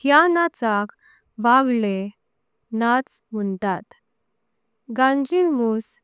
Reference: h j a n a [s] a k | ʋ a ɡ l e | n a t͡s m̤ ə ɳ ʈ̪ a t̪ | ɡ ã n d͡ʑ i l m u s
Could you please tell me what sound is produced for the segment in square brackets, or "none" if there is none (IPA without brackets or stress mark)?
t͡s